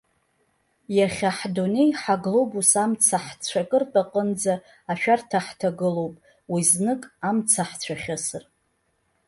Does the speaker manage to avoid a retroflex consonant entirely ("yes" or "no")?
yes